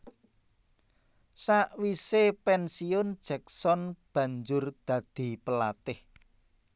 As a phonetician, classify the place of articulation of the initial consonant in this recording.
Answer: alveolar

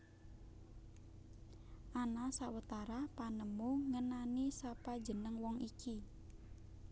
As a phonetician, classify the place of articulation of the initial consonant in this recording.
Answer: glottal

